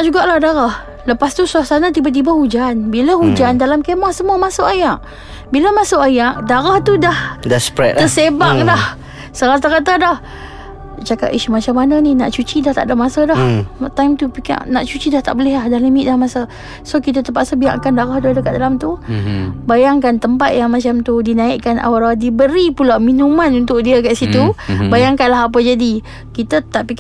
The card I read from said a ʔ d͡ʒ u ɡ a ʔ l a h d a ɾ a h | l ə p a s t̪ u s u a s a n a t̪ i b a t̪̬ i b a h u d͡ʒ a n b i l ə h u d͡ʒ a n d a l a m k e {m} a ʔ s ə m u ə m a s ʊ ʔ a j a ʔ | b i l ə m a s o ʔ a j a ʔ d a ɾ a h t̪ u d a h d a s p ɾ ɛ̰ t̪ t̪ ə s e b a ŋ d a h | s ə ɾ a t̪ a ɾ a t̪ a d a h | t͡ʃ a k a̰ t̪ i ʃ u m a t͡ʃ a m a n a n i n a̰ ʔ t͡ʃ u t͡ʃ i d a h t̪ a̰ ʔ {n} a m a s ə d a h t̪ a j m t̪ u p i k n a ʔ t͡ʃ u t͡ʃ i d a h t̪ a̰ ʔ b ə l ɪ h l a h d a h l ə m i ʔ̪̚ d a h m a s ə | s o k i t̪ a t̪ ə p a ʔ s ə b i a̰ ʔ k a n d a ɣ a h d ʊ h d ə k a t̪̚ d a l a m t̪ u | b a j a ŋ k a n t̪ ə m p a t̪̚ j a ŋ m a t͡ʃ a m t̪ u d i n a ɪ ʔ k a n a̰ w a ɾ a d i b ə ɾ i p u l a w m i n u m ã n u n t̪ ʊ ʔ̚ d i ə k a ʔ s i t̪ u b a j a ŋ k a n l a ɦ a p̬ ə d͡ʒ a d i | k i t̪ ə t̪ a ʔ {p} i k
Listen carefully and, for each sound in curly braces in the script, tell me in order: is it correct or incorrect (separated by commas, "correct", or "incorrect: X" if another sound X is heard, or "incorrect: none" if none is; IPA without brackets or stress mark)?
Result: correct, incorrect: d, correct